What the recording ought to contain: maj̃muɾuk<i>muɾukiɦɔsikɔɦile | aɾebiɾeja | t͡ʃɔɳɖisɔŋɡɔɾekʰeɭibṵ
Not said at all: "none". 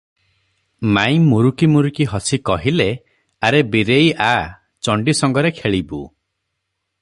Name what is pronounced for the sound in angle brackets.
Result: i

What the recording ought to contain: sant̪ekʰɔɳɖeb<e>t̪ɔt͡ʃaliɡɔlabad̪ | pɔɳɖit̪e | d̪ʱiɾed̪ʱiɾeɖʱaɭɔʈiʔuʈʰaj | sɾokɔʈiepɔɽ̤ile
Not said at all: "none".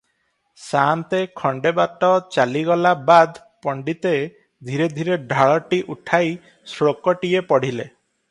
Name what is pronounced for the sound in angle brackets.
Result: a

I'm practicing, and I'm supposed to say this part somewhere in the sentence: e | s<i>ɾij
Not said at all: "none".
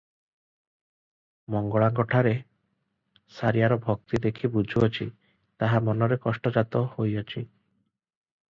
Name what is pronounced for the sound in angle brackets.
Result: a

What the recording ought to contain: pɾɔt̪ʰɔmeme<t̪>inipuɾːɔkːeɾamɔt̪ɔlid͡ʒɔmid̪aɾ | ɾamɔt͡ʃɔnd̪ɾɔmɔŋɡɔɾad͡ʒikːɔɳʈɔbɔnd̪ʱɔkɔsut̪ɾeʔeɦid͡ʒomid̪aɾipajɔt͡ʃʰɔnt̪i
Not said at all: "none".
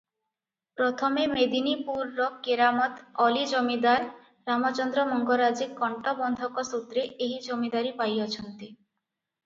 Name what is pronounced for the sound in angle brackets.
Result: d̪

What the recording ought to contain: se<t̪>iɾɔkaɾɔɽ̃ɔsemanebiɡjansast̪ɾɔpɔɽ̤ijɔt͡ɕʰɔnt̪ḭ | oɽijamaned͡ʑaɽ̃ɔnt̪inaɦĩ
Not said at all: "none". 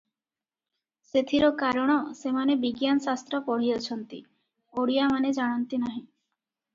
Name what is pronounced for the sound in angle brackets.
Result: t̪ʰ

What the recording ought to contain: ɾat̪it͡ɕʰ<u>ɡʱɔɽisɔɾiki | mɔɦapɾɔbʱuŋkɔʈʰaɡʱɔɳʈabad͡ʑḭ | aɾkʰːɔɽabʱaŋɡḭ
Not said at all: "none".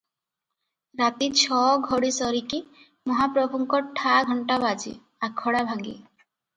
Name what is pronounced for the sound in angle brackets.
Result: ɔ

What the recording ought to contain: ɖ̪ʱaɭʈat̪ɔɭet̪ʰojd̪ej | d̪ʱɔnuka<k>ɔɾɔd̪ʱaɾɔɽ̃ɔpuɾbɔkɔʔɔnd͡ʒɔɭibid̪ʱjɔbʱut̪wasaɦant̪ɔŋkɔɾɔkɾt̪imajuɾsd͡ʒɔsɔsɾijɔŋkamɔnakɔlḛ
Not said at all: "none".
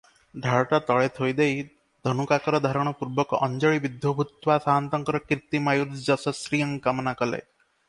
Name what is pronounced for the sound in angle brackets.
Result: k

